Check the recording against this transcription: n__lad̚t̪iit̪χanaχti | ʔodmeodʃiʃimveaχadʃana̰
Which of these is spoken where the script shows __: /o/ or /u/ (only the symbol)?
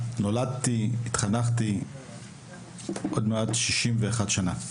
o